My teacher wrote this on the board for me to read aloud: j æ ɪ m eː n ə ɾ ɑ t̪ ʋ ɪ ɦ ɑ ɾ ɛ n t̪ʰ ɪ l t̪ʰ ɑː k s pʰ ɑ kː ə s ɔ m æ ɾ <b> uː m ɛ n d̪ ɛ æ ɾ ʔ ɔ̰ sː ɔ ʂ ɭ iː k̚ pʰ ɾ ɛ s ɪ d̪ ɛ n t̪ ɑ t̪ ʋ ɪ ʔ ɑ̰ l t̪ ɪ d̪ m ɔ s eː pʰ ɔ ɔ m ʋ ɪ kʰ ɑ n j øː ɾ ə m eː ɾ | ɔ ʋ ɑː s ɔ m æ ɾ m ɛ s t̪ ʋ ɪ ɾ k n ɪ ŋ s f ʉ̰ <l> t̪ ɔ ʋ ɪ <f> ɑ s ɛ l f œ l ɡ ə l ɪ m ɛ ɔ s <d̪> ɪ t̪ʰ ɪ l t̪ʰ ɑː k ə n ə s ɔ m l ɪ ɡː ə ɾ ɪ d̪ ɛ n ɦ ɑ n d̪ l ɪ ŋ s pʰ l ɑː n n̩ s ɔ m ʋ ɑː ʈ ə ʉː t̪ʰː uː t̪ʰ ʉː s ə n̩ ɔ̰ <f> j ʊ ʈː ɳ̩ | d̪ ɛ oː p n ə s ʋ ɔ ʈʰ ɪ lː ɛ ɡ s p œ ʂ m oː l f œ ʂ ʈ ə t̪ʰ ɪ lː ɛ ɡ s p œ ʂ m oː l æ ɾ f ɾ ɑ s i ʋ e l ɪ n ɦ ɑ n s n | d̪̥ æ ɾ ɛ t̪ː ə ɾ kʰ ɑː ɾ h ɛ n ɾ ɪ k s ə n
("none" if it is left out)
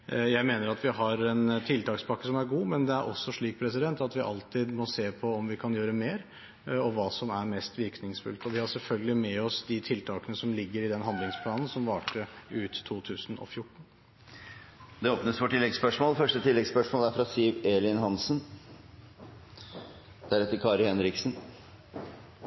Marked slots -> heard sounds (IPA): ɡ, l, h, d̪, f

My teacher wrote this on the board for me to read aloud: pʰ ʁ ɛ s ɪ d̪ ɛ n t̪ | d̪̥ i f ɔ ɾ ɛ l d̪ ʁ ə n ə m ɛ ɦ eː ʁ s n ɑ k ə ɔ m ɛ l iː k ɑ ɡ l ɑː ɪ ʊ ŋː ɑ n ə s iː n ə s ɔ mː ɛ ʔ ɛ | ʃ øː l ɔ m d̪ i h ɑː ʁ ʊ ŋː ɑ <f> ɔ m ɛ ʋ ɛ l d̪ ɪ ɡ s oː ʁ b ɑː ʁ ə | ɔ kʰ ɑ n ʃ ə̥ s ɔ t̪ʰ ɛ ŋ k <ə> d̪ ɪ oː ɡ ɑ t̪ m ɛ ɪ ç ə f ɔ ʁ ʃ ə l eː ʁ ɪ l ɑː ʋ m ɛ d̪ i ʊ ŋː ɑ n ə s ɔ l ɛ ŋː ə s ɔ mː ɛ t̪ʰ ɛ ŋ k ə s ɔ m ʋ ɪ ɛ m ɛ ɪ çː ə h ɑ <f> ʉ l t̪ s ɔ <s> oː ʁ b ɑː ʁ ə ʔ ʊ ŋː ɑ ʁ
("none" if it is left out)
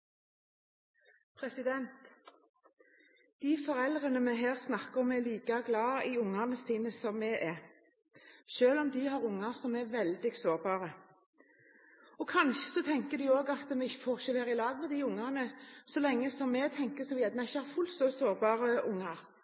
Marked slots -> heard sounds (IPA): s, ə, f, s

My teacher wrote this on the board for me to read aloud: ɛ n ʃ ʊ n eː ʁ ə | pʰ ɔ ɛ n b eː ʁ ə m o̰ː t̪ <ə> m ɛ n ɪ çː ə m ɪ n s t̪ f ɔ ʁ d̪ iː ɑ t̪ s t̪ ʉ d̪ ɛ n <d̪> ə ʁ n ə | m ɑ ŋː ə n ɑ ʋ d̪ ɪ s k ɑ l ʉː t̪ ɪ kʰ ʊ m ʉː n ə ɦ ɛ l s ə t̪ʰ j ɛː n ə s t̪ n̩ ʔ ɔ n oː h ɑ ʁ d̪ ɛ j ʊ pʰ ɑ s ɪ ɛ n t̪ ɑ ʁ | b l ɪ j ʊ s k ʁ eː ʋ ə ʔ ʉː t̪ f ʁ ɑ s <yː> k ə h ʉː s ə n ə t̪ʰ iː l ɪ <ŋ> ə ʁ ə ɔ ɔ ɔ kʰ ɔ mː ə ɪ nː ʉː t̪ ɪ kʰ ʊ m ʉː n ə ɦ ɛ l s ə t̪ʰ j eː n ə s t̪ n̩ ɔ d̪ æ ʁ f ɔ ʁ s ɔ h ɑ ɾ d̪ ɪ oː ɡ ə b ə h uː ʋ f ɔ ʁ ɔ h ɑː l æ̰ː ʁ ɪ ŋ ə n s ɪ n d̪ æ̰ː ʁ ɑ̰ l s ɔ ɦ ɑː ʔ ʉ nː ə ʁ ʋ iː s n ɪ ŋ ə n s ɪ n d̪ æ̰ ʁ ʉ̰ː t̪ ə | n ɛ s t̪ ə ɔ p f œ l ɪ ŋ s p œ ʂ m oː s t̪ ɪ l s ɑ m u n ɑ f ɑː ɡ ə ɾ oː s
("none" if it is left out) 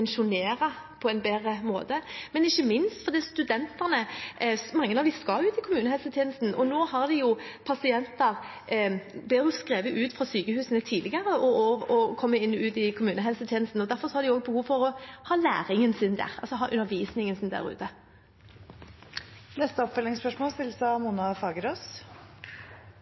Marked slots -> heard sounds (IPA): ə, t̪, yː, ɡ

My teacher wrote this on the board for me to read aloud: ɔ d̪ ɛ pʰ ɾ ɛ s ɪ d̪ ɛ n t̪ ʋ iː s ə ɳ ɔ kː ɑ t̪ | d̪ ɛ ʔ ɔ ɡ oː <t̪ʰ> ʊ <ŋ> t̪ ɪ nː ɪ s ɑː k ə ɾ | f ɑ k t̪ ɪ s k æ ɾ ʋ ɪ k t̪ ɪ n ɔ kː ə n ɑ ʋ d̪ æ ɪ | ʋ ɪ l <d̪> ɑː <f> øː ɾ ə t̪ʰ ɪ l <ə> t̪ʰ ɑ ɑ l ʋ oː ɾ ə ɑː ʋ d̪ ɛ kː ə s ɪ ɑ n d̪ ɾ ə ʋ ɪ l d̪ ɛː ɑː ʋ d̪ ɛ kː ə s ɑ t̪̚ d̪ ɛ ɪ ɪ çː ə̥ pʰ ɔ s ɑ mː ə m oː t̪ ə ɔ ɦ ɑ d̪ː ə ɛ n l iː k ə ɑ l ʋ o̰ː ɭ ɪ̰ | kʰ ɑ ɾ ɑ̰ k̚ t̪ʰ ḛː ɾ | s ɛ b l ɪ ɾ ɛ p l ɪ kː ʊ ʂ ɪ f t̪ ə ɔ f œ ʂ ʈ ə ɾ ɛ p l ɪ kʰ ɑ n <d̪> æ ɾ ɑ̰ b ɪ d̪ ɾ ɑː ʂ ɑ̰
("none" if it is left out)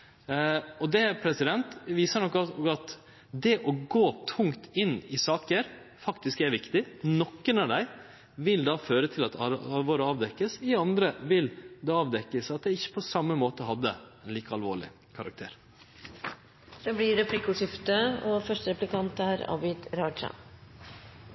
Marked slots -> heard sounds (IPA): t̪ʰ, ŋ, d̪, f, ɑ, t̪

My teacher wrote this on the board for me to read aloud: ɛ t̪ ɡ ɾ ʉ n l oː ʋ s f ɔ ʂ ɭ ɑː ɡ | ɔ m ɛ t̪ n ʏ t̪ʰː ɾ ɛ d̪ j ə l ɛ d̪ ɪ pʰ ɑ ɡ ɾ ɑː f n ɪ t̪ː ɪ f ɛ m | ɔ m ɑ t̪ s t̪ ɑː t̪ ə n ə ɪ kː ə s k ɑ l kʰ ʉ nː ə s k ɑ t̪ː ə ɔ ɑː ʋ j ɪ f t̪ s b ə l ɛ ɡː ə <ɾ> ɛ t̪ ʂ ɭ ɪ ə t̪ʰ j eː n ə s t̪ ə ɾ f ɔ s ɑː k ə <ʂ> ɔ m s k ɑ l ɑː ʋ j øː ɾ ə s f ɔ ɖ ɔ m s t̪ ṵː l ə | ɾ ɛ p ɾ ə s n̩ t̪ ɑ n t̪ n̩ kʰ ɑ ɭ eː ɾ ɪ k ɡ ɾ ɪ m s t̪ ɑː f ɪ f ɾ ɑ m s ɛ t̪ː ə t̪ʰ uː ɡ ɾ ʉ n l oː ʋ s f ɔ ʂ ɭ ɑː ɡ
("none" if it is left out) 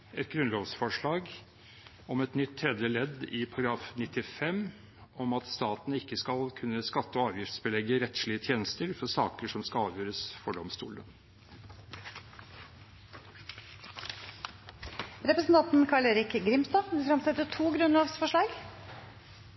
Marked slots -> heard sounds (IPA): ɾ, ʂ

